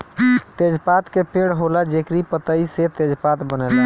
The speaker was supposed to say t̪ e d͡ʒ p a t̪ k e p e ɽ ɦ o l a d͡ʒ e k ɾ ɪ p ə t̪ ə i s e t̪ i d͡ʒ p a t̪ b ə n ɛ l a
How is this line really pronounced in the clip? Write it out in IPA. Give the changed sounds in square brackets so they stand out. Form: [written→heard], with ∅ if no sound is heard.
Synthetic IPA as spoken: t̪ e d͡ʒ p a t̪ k e p e ɽ ɦ o l a d͡ʒ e k ɾ [ɪ→i] p ə t̪ ə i s e t̪ [i→e] d͡ʒ p a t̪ b ə n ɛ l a